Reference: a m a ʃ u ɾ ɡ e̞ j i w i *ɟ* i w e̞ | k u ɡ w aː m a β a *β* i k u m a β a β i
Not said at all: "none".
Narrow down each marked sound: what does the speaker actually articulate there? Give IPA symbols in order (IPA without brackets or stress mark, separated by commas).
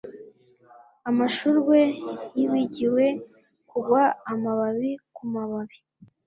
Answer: ɟ, β